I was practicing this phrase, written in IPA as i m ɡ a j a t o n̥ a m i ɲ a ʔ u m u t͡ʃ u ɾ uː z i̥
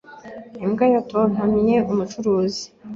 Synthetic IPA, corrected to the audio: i m ɡ a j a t o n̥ a m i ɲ e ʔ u m u t͡ʃ u ɾ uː z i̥